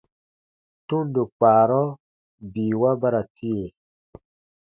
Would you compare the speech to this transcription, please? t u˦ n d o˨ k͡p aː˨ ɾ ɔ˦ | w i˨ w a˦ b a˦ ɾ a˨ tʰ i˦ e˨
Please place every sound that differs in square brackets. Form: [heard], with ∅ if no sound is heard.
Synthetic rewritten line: t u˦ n d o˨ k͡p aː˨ ɾ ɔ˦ | [b] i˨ w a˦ b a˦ ɾ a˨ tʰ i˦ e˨